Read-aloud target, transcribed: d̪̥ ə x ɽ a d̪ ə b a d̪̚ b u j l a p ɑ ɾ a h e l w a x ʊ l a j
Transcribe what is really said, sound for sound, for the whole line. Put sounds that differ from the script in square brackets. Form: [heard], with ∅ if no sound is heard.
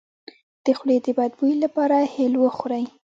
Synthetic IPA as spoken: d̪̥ ə x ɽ [e] d̪ ə b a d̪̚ b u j l a p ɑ ɾ a h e l w [ə] x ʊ [ɾ] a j